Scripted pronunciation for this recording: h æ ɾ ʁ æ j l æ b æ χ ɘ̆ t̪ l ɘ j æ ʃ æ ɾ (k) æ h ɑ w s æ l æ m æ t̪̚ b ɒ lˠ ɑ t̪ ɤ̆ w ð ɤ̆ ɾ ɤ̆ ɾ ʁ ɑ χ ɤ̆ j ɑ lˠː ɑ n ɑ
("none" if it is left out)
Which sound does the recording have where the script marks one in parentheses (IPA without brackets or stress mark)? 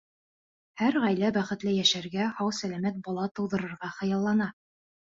ɡ